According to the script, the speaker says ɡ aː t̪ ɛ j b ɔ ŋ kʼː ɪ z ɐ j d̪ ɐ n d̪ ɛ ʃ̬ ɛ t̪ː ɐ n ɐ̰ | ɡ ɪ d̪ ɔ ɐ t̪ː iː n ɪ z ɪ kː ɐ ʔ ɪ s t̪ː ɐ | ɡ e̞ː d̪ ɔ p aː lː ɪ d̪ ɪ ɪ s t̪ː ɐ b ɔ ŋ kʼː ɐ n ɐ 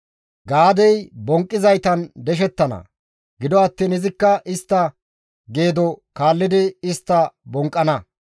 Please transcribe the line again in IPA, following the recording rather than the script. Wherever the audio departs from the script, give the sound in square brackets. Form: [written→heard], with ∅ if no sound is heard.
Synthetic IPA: ɡ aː [t̪→d̪] ɛ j b ɔ ŋ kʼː ɪ z ɐ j [d̪→t̪] ɐ n d̪ ɛ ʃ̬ ɛ t̪ː ɐ n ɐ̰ | ɡ ɪ d̪ ɔ ɐ t̪ː iː n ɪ z ɪ kː ɐ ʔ ɪ s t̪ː ɐ | ɡ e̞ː d̪ ɔ [p→k] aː lː ɪ d̪ ɪ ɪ s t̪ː ɐ b ɔ ŋ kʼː ɐ n ɐ